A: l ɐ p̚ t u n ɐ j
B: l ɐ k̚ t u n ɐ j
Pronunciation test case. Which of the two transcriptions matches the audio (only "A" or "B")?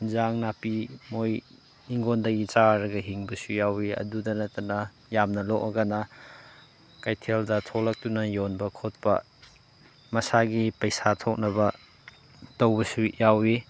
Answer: B